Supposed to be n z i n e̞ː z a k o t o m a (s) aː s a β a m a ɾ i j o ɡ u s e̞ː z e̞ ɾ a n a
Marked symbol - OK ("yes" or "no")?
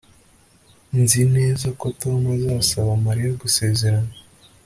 no